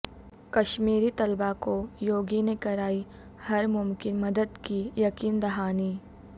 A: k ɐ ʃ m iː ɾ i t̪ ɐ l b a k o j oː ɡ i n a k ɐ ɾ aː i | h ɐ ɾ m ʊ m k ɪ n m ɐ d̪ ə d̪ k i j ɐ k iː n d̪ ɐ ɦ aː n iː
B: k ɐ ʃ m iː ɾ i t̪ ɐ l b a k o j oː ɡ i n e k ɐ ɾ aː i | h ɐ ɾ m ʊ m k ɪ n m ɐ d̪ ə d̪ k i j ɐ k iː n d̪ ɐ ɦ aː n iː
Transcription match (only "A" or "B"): B